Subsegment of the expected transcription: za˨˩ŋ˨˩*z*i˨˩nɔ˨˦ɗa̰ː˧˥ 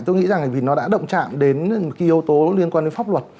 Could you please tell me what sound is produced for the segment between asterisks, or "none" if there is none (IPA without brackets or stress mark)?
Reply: v